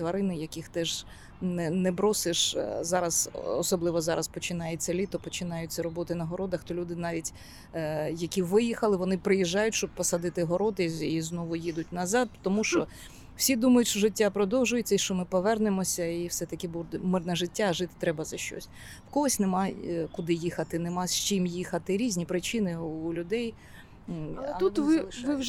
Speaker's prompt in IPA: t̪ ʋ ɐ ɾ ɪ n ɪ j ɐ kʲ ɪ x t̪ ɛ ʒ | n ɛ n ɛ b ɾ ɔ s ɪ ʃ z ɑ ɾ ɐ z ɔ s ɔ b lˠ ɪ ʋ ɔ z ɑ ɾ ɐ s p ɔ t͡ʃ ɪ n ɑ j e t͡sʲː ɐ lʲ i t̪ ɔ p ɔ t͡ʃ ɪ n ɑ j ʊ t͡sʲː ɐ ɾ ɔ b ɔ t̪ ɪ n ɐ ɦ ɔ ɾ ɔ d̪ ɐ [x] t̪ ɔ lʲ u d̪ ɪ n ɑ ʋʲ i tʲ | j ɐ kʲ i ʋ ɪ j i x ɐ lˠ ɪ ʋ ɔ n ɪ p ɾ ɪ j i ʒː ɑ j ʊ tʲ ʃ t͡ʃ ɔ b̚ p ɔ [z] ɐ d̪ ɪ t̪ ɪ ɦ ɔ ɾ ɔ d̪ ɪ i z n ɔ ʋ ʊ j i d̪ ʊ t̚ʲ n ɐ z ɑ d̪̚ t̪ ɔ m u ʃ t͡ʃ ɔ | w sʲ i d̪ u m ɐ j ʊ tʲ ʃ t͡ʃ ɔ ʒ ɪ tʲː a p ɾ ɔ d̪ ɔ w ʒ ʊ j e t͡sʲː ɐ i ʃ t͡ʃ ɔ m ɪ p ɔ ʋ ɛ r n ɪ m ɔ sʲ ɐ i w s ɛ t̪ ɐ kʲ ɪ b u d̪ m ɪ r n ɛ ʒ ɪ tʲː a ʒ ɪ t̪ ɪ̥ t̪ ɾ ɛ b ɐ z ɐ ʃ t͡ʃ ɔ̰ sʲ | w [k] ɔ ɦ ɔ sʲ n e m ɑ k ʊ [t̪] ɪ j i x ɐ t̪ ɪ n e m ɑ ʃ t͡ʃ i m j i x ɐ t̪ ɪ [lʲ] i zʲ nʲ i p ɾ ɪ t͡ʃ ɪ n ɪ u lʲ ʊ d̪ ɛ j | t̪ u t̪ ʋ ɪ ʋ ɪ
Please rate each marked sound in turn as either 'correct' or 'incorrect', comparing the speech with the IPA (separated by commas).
correct, incorrect, correct, incorrect, incorrect